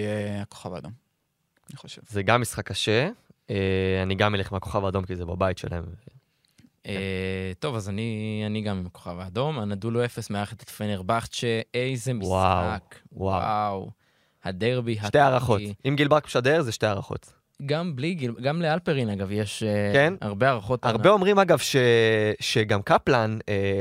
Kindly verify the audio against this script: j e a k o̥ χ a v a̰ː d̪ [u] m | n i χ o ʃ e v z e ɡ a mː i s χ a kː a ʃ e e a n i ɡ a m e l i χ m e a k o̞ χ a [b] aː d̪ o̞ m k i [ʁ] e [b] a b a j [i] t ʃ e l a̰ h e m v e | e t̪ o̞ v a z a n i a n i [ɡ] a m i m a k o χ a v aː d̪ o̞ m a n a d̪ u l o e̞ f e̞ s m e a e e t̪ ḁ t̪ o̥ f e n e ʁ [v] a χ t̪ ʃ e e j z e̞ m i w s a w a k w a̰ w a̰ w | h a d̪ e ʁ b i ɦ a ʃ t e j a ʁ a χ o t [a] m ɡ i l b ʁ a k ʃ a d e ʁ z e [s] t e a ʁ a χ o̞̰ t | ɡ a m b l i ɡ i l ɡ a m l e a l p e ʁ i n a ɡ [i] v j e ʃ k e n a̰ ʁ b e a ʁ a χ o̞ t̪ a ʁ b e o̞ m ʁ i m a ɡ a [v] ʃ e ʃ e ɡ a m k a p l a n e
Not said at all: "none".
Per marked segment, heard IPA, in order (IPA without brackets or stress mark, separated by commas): o, v, z, b, i, ɡ, b, i, ʃ, a, v